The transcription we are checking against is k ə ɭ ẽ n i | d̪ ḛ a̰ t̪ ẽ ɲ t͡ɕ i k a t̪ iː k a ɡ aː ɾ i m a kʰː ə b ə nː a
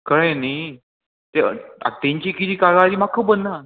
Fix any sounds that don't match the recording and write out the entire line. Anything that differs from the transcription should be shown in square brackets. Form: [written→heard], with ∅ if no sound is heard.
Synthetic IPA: k ə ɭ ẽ n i | [d̪→t̪] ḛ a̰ t̪ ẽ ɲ t͡ɕ i k [a→i] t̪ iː k a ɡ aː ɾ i m a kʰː ə b ə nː a